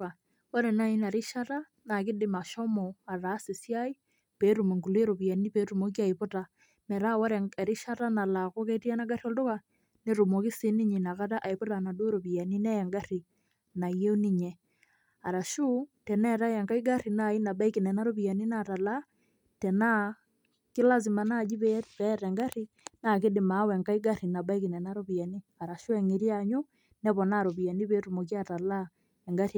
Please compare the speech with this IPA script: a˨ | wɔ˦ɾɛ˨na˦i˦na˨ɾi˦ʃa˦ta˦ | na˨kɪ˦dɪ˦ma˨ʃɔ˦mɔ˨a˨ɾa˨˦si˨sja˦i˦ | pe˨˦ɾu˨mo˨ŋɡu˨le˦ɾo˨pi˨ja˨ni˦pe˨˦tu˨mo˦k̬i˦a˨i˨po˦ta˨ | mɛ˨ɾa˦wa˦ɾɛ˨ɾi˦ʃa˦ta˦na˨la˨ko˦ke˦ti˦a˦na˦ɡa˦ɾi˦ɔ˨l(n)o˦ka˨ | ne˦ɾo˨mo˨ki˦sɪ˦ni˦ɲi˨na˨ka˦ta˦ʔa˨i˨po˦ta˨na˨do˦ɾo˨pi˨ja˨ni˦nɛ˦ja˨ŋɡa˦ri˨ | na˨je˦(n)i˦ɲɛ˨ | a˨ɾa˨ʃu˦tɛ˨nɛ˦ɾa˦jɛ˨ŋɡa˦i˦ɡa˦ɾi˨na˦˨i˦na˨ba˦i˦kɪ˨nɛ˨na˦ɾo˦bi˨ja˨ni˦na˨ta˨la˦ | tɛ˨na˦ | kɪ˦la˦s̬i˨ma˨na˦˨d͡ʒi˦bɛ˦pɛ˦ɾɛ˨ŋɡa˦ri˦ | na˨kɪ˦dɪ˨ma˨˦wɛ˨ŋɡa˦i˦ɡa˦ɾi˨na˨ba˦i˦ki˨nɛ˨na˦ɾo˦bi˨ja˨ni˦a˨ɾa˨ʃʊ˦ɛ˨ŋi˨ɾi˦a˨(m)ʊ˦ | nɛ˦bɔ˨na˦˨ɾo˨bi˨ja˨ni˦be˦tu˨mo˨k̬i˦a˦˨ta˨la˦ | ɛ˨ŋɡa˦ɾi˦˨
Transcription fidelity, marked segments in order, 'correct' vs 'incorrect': incorrect, correct, incorrect

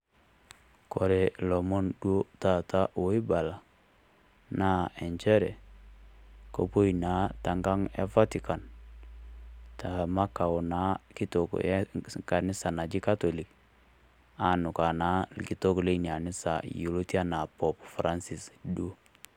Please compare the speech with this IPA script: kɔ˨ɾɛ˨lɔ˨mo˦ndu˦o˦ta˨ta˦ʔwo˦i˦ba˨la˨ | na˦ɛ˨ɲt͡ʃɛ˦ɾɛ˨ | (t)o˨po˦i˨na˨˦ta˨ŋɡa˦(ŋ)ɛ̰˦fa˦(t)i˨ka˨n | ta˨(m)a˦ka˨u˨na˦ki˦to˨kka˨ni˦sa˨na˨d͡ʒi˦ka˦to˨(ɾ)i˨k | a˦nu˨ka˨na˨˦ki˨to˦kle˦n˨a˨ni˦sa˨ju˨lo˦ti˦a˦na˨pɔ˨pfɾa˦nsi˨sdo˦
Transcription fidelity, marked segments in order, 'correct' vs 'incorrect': incorrect, correct, correct, correct, incorrect

